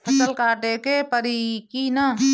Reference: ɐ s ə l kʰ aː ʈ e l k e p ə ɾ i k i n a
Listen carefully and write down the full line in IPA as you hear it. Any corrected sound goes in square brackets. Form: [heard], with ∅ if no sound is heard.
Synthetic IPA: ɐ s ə l [k] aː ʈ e [∅] k e p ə ɾ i k i n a